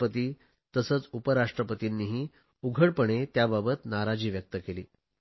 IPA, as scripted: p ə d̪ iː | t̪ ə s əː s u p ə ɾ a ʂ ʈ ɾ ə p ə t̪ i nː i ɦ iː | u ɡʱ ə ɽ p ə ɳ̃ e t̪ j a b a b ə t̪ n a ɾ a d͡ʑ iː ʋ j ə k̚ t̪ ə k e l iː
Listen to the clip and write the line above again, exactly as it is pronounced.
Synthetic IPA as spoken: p ə t̪ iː | t̪ ə s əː t͡s u p ə ɾ a ʂ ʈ ɾ ə p ə t̪ i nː i ɦ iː | u ɡʱ ə ɽ p ə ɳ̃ e t̪ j a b a b ə t̪ n a ɾ a d͡ʑ iː ʋ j ə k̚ t̪ ə k e l iː